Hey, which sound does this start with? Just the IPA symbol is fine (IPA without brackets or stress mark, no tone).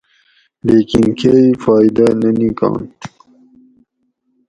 l